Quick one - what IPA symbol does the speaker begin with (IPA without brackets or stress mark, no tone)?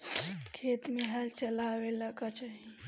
kʰ